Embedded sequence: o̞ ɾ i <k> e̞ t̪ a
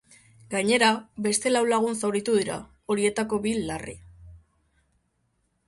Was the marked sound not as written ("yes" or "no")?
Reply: yes